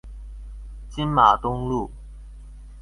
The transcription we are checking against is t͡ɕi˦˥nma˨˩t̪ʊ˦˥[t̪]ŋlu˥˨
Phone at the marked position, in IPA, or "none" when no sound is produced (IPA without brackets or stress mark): none